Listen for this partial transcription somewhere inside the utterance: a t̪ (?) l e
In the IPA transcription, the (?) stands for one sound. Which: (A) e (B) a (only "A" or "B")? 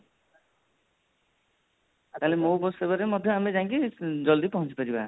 B